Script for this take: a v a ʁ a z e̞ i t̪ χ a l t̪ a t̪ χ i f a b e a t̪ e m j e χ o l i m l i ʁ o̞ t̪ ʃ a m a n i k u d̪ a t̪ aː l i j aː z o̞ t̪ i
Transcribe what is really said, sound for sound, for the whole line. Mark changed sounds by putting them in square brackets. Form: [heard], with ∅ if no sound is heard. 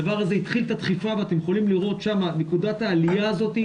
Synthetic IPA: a v a ʁ a z e̞ i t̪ χ [i] l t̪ a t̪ χ i f a [v] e a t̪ e m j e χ o l i m l i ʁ o̞ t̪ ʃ a m a n [e] k u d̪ a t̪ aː l i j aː z o̞ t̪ i